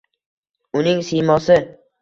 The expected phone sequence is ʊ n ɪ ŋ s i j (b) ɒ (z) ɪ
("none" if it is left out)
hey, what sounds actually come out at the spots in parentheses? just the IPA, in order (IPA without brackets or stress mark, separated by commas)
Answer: m, s